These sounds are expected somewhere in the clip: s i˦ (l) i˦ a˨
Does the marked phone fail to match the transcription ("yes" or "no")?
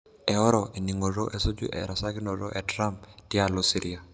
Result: yes